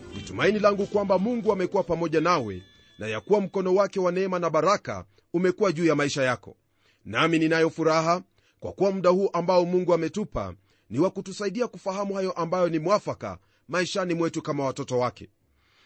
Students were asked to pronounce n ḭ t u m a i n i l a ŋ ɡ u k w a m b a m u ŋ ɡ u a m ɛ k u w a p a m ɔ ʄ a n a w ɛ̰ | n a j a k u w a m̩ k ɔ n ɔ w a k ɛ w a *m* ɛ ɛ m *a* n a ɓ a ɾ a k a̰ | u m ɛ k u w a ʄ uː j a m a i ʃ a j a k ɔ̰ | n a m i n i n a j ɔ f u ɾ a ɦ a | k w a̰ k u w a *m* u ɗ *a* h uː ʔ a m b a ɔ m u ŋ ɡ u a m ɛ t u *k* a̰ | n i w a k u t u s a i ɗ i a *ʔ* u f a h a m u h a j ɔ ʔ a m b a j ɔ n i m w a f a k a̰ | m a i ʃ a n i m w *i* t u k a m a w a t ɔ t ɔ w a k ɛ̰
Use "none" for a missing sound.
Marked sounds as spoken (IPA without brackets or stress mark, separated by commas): n, a, m, a, p, k, ɛ